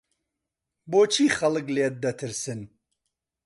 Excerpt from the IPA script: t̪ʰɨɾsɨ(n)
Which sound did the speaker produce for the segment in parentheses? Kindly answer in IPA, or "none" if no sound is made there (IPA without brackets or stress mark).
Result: n